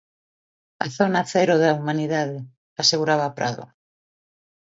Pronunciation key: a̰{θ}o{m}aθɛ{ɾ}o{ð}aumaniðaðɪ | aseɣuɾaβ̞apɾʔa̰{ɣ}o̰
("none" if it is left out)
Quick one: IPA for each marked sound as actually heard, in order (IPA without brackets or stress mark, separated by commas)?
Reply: θ, n, ɾ, ð, ð